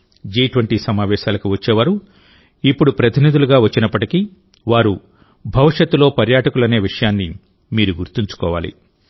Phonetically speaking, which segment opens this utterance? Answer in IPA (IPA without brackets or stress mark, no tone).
d͡ʒ